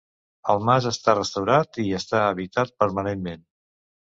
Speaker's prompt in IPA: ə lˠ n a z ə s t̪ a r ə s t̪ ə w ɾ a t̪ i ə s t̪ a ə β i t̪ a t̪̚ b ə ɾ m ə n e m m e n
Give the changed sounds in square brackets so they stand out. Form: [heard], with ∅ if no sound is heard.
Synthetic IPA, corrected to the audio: ə lˠ [m] a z ə s t̪ a r ə s t̪ ə w ɾ a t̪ i ə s t̪ a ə β i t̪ a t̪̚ [p] ə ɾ m ə n e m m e n